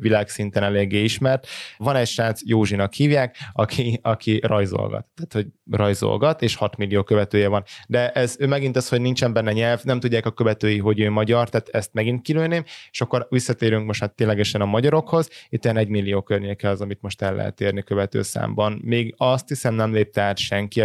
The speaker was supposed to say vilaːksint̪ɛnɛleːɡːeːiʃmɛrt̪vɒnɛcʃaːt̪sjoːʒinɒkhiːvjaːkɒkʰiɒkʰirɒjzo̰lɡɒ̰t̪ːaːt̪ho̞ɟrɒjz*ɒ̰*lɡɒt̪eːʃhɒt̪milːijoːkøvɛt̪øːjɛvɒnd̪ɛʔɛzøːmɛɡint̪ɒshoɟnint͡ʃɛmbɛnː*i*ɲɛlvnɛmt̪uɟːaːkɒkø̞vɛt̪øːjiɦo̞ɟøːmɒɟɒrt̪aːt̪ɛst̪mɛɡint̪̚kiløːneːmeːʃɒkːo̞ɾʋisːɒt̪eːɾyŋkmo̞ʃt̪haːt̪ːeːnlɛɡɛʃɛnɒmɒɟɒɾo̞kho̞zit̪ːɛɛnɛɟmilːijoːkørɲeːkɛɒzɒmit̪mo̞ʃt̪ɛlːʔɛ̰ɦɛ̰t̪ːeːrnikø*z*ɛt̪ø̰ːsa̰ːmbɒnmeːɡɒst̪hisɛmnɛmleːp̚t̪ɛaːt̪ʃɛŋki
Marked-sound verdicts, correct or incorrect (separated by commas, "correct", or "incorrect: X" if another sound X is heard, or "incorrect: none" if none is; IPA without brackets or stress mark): incorrect: o̰, incorrect: ɛ, incorrect: v